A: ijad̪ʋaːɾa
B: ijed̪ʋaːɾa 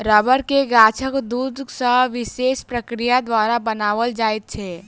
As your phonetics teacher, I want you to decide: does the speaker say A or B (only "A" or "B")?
A